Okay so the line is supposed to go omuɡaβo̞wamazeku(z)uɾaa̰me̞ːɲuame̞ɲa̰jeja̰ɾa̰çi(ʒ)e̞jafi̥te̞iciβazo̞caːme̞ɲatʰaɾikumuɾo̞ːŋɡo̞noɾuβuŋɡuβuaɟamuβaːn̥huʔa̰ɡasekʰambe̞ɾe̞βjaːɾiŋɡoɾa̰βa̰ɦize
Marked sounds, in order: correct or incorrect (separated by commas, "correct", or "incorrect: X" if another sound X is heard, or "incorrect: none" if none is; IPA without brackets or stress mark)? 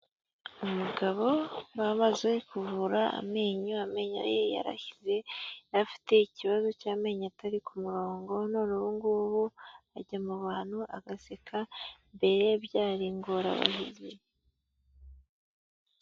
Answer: incorrect: v, incorrect: z